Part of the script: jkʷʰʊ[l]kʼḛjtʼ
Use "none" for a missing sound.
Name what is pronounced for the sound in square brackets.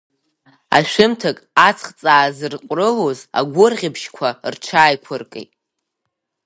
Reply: r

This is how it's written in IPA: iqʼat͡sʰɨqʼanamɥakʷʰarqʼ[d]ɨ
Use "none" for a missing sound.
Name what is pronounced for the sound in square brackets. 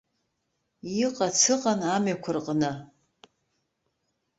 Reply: n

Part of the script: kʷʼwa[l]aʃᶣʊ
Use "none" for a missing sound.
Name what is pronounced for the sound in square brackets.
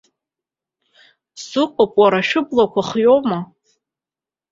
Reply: ɾ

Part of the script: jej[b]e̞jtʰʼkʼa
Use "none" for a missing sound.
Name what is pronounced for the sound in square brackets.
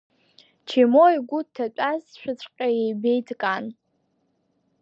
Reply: b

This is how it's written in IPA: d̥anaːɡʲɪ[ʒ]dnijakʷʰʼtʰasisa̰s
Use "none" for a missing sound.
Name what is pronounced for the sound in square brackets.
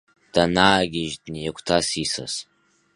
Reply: ʒ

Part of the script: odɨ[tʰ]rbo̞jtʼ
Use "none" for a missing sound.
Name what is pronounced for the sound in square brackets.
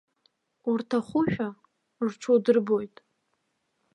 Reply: none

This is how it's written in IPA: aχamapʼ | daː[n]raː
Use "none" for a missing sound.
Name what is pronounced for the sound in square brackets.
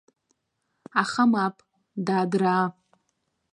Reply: d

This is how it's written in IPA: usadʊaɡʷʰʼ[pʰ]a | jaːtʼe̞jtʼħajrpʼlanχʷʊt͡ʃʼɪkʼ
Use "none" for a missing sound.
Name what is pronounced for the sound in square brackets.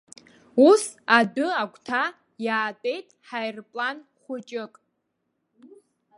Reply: tʰ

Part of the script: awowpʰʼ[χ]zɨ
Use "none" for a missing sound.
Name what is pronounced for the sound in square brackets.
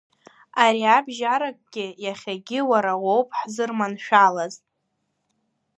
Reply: ħ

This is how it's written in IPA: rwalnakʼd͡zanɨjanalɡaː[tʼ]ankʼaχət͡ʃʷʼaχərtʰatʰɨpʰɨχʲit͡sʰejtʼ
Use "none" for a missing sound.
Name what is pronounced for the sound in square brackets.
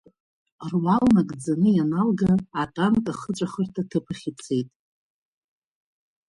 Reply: tʼ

